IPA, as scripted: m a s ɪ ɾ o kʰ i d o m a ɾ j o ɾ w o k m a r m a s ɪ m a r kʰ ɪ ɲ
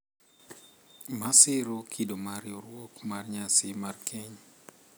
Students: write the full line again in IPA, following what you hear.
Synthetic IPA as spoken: m a s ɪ ɾ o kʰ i d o m a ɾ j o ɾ w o k m a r ɲ a s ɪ m a r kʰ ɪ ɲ